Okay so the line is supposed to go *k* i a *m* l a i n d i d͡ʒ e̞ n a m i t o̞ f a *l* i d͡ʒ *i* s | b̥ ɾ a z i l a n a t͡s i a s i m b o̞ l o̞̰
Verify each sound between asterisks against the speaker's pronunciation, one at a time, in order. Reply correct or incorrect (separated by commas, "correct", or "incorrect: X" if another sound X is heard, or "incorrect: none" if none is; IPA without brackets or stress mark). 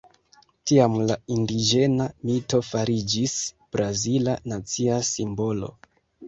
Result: incorrect: t, correct, incorrect: ɾ, correct